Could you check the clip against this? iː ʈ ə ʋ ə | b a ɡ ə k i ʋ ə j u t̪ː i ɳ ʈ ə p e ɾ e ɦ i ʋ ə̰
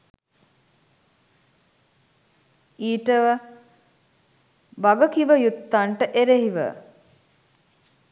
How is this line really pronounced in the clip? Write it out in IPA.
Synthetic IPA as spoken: iː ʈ ə ʋ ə | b a ɡ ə k i ʋ ə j u t̪ː a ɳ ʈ ə ʔ e ɾ e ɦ i ʋ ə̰